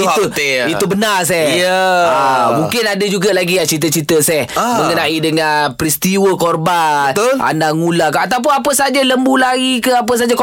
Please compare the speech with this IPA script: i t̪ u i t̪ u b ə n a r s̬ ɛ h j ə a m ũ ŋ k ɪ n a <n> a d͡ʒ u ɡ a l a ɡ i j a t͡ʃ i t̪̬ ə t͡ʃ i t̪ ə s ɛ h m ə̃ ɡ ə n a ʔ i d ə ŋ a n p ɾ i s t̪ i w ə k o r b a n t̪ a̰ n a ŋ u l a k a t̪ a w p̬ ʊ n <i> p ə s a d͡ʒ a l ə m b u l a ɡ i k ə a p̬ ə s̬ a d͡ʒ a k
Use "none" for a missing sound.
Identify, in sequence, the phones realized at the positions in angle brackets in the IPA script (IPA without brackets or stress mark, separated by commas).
d, a